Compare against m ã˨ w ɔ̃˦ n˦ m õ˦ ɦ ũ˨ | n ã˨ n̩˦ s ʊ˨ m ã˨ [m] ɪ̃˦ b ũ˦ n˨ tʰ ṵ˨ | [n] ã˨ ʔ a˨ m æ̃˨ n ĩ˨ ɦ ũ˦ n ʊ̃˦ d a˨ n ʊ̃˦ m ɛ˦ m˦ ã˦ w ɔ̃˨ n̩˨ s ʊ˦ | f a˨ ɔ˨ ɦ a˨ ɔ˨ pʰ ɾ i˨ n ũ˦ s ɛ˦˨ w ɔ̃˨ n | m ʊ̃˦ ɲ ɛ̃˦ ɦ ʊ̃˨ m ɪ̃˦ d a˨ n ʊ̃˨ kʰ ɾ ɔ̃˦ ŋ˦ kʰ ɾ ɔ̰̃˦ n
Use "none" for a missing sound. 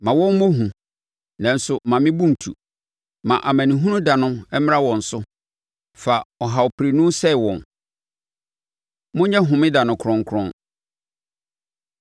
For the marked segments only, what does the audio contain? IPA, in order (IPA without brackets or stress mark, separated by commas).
m, m